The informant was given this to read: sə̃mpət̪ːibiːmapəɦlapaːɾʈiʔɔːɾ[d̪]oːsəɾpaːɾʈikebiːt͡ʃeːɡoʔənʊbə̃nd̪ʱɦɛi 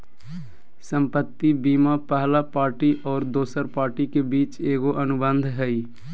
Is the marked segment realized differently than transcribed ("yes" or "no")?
no